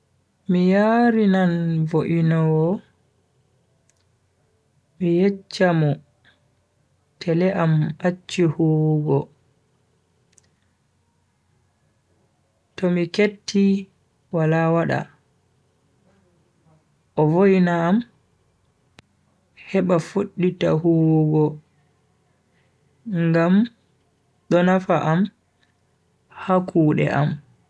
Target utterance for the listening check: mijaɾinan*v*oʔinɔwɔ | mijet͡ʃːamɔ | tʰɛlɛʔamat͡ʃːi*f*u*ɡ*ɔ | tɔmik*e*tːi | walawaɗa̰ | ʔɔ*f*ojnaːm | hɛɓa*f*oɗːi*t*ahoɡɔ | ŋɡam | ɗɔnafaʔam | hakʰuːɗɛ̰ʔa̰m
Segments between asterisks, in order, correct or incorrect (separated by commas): correct, incorrect, correct, correct, incorrect, correct, correct